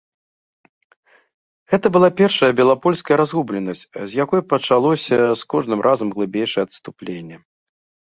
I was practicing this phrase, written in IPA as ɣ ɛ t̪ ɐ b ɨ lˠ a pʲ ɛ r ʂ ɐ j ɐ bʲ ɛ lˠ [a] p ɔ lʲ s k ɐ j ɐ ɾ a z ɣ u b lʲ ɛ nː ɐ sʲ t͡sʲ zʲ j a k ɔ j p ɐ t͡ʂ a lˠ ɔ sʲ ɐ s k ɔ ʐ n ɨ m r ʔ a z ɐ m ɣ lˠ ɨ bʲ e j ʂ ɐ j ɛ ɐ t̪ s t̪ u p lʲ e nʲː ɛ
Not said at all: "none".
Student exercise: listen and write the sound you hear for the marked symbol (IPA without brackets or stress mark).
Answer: a